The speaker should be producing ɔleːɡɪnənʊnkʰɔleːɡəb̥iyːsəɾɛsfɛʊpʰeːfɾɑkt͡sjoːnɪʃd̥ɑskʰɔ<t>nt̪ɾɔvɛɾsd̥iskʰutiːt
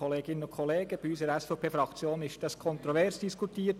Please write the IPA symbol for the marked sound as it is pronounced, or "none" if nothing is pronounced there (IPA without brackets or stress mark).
none